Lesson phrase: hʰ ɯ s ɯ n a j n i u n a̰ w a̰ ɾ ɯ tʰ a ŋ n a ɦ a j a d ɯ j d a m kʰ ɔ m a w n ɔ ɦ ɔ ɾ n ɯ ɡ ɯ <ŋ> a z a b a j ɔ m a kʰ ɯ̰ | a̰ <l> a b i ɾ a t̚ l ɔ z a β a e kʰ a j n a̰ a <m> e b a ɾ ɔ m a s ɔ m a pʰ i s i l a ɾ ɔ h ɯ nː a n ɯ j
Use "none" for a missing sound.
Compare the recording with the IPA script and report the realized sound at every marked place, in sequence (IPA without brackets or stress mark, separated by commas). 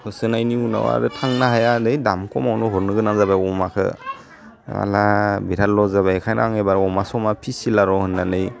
n, l, ŋ